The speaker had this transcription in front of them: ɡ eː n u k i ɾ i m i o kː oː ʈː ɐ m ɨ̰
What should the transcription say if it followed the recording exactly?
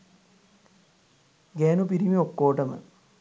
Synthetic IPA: ɡ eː n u p i ɾ i m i o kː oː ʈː ɐ m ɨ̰